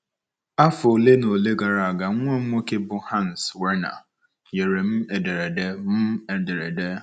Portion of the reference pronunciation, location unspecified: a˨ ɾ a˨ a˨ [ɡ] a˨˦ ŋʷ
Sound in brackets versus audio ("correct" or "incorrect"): correct